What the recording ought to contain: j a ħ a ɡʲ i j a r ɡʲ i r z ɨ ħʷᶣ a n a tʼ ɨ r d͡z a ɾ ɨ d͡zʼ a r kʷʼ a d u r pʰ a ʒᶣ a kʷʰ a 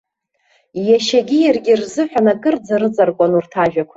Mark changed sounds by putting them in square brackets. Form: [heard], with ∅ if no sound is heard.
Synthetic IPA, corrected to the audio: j a [ʃ] a ɡʲ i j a r ɡʲ i r z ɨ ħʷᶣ a n a [kʼ] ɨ r d͡z a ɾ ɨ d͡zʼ a r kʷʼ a [n] u r [tʰ] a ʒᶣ a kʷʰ a